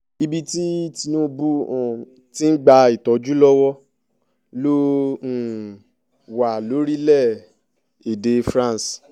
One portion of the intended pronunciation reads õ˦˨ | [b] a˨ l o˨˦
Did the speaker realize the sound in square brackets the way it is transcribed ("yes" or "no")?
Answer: no